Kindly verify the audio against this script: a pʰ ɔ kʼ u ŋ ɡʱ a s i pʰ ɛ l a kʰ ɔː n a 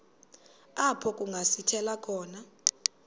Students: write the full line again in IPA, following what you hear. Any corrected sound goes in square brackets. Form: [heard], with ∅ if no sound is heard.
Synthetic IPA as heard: a pʰ ɔ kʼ u ŋ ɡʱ a s i [tʰ] ɛ l a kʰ ɔː n a